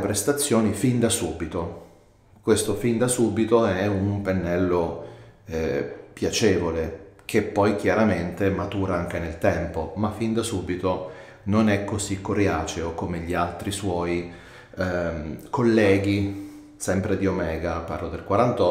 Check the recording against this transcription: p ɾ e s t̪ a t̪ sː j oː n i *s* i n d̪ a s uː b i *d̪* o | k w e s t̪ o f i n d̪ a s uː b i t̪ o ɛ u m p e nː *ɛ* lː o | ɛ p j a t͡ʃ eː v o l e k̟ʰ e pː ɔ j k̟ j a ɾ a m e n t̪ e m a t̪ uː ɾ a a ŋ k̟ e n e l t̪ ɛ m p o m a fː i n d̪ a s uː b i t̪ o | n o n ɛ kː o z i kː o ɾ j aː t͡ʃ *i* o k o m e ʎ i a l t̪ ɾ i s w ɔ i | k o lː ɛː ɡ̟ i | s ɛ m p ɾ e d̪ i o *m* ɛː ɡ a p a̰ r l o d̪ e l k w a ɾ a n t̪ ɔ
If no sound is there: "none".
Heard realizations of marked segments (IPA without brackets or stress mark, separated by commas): f, t̪, ɛ, e, m